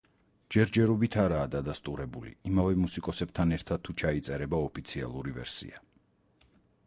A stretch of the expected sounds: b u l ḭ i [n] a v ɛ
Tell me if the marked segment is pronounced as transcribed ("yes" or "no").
no